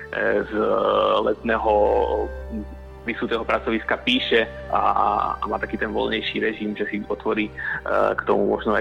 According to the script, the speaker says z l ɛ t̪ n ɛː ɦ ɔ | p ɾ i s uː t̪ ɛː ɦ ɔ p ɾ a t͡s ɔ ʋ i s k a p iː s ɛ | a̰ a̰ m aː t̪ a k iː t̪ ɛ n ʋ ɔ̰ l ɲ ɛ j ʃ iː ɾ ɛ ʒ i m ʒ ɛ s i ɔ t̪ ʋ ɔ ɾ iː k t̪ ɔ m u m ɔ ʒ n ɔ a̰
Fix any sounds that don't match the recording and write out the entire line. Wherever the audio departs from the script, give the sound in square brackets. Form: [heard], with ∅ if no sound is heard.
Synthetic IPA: z l ɛ t̪ n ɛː ɦ ɔ | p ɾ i s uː t̪ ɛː ɦ ɔ p ɾ a t͡s ɔ ʋ i s k a p iː [ʃ] ɛ | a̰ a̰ m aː t̪ a k iː t̪ ɛ n ʋ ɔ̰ l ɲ ɛ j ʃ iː ɾ ɛ ʒ i m ʒ ɛ s i ɔ t̪ ʋ ɔ ɾ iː k t̪ ɔ m u m ɔ ʒ n ɔ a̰